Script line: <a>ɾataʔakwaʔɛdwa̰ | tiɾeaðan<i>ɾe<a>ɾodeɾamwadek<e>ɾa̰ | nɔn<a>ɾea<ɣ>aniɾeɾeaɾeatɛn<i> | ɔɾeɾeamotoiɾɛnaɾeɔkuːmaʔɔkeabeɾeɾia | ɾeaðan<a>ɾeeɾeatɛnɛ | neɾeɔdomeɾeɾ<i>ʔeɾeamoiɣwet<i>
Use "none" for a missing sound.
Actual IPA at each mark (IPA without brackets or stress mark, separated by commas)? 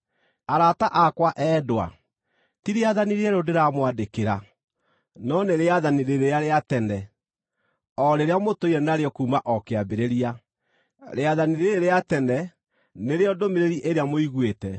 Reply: a, i, ɛ, e, e, ð, ɛ, i, i, ɛ